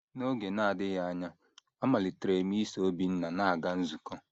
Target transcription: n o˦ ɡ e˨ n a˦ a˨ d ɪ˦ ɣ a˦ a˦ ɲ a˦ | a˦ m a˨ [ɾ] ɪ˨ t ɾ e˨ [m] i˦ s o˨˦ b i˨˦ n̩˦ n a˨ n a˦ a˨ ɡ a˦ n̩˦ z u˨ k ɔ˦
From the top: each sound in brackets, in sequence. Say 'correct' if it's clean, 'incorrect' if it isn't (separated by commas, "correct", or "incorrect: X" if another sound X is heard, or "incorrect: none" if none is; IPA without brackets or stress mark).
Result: incorrect: l, correct